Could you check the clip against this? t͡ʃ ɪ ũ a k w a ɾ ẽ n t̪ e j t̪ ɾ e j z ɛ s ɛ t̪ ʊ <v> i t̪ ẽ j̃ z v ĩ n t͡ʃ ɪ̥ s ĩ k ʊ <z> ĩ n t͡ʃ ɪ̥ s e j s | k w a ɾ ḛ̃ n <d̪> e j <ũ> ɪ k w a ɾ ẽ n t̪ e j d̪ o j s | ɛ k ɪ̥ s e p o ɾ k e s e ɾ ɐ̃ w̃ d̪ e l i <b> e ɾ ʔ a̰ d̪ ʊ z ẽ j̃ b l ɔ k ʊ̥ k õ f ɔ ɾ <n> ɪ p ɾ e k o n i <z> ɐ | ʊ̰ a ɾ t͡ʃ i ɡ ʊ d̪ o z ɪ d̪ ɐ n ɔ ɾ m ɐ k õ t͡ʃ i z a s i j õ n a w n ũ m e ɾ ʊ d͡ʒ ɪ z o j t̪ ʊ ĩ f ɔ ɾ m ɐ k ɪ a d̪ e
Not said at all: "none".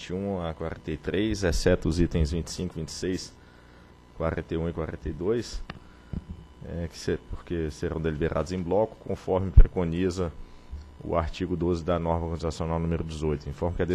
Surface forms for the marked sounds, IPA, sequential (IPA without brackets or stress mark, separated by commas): z, v, t̪, ũ, b, m, z